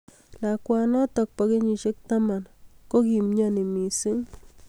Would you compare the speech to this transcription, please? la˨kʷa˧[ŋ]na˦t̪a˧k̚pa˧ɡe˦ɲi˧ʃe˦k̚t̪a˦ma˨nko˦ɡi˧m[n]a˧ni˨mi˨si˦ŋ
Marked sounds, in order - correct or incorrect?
incorrect: none, incorrect: ɲ

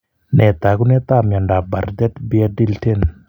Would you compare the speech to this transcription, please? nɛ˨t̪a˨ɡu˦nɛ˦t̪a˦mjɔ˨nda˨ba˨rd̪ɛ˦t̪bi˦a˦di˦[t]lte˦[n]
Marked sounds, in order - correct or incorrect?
incorrect: none, correct

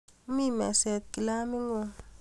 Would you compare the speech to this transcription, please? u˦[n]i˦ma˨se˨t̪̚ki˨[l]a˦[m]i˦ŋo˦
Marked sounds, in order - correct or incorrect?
incorrect: m, correct, correct

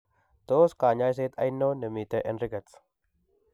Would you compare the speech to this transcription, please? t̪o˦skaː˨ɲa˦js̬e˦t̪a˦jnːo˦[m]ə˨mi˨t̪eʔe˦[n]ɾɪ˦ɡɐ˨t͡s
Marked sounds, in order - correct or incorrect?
incorrect: n, correct

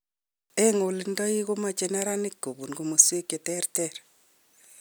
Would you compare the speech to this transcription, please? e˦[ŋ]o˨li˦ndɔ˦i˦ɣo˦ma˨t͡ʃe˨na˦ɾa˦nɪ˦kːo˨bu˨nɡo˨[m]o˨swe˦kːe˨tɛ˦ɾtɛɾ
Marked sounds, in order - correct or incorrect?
correct, correct

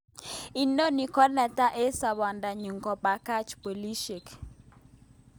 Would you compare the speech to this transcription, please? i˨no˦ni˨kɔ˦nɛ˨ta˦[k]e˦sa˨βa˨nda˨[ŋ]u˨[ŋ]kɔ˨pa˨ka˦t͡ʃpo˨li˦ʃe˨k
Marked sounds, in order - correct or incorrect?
incorrect: ʔ, incorrect: ɲ, correct

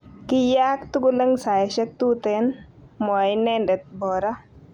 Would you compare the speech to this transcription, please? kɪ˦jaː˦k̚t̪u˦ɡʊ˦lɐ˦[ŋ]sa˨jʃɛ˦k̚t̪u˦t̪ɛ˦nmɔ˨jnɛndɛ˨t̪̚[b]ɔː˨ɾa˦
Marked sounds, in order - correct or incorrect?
correct, correct

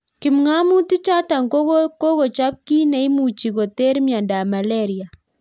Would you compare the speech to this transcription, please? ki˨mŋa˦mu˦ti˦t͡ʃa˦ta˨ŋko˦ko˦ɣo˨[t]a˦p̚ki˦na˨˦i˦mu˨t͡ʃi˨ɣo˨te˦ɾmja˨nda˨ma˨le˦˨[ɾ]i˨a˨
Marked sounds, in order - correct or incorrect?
incorrect: t͡ʃ, correct

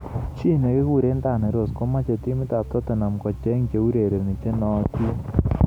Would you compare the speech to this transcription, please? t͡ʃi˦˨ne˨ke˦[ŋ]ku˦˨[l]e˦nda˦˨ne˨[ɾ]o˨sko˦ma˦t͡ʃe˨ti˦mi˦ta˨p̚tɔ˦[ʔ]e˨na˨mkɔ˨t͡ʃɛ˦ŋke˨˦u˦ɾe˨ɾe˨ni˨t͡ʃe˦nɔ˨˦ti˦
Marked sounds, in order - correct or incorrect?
incorrect: none, incorrect: ɾ, correct, incorrect: t

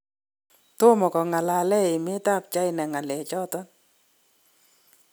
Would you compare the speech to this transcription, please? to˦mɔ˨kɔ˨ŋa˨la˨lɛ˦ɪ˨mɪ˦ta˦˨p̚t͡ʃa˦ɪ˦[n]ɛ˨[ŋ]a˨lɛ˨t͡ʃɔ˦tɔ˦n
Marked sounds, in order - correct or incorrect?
correct, correct

